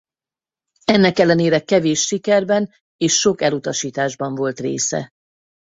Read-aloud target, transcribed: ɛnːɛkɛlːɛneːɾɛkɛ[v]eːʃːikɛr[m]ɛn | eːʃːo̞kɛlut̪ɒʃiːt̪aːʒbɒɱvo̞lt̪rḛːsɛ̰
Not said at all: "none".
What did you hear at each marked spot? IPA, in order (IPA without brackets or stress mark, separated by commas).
v, b